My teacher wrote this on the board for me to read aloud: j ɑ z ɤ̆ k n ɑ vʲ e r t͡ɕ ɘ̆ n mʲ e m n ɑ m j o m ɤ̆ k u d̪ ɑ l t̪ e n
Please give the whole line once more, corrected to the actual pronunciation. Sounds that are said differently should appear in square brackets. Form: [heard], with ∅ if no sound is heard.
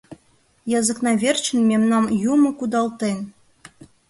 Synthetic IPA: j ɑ z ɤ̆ k n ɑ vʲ e r t͡ɕ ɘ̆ n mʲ e m n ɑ m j [u] m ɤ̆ k u d̪ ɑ l t̪ e n